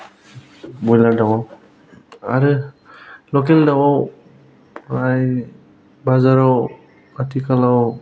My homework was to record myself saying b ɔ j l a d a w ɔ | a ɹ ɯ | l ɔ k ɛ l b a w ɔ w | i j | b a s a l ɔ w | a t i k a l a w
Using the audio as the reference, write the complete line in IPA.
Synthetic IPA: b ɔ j l a d a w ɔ | a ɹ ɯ | l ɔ k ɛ l d a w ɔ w | a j | b a z a ɹ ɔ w | a t i k a l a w